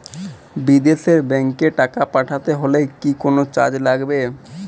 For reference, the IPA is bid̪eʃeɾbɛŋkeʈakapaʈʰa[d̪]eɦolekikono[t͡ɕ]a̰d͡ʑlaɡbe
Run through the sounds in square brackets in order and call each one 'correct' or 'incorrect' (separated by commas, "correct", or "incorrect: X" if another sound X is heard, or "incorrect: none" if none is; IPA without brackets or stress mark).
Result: incorrect: t̪, correct